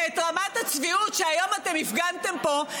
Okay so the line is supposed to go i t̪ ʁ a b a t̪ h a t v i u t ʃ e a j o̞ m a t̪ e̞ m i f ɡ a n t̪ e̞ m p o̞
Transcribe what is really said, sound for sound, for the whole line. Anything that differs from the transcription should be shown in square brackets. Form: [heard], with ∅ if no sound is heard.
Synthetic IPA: [e] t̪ ʁ a [m] a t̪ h a [t͡s] v i u t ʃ e a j o̞ m a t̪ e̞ m i f ɡ a n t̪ e̞ m p o̞